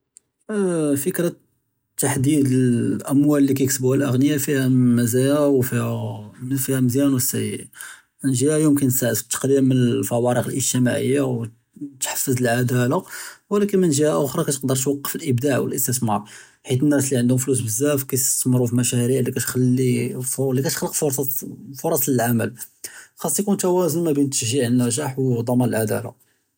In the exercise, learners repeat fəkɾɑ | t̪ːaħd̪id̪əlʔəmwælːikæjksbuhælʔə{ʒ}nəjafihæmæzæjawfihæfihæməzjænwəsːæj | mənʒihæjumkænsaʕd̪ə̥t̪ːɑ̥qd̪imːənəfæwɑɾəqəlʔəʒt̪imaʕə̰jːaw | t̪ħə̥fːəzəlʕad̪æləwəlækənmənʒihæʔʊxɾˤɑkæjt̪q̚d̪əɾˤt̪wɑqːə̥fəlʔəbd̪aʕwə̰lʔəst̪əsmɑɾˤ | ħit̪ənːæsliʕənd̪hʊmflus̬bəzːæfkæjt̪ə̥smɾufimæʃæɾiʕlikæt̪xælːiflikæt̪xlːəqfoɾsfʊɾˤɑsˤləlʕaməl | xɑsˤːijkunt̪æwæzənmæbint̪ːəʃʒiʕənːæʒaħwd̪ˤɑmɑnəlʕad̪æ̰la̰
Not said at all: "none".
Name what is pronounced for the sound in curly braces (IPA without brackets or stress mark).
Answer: ɣ